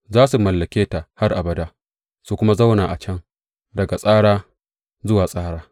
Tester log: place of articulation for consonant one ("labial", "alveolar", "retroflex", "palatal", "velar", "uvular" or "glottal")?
alveolar